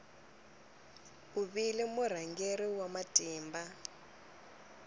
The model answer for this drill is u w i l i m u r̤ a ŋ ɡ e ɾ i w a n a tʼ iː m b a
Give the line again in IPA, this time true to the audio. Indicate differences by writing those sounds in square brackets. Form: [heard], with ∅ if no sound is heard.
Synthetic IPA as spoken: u [β] i l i m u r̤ a ŋ ɡ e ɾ i w a [m] a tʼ iː m b a